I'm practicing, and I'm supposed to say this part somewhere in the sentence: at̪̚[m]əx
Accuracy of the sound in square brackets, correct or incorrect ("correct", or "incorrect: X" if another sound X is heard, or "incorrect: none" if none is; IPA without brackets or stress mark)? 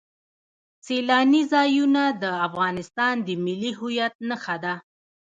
incorrect: n